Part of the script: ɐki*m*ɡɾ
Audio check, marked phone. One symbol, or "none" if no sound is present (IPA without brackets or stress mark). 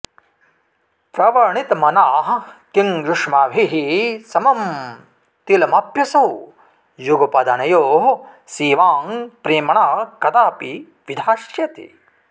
ŋ